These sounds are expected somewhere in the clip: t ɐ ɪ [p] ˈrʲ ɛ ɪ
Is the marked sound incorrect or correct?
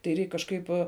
incorrect